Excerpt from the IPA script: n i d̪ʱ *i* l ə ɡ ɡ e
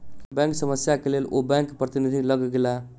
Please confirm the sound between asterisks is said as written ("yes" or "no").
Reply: yes